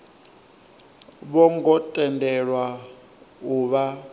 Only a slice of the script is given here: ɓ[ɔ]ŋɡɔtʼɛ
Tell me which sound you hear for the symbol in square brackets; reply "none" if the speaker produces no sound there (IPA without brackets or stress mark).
ɔ